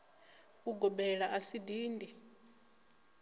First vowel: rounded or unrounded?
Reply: rounded